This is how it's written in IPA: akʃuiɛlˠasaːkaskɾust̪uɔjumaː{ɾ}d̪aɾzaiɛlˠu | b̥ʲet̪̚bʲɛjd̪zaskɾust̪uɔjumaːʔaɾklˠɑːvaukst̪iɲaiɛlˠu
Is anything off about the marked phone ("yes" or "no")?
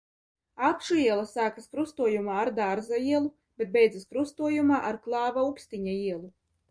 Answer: no